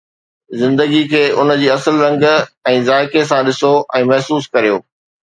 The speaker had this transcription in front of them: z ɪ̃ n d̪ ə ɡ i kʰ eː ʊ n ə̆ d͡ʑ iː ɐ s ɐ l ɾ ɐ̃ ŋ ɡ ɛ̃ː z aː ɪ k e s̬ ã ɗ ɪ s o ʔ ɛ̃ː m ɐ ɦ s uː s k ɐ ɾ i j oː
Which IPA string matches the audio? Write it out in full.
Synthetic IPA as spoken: z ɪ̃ n d̪ ə ɡ i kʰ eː ʊ n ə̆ d͡ʑ iː ɐ s ə l ɾ ɐ̃ ŋ ɡ ɛ̃ː z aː ɪ k e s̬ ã ɗ ɪ s o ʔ ɛ̃ː m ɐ ɦ s uː s k ɐ ɾ i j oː